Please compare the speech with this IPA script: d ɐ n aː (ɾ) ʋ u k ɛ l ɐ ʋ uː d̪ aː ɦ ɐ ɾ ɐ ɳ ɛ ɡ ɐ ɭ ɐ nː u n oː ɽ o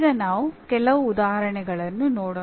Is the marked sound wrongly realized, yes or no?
yes